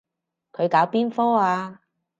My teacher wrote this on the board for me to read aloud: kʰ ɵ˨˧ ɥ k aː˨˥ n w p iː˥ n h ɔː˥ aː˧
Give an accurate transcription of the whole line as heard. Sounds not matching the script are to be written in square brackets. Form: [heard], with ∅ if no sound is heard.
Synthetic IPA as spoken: kʰ ɵ˨˧ ɥ k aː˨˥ [∅] w p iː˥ n [f] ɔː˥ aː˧